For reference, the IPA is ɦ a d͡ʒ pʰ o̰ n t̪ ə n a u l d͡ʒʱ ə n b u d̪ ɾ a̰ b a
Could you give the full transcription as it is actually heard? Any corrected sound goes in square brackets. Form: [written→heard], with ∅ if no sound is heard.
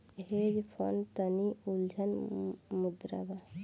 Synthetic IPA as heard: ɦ [a→e] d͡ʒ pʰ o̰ n t̪ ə n [a→i] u l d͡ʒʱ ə n [b→m] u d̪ ɾ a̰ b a